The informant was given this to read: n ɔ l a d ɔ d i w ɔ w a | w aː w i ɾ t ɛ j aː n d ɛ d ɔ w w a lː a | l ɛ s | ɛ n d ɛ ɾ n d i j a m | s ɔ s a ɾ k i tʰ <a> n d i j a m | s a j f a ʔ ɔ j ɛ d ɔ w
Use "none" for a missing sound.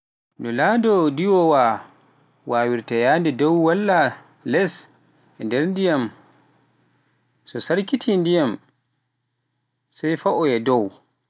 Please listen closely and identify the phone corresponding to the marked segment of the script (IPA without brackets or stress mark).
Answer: i